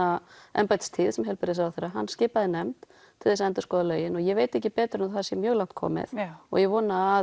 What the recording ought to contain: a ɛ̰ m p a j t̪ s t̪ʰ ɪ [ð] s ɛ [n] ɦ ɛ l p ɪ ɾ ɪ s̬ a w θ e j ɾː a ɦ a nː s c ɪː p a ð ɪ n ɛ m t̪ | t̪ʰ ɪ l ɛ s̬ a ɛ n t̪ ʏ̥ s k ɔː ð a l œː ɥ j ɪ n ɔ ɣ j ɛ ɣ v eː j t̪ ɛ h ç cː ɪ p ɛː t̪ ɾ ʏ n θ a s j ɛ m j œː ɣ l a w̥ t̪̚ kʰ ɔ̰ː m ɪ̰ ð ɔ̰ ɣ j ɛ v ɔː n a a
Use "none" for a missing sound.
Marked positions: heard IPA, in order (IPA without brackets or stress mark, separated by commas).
ð, m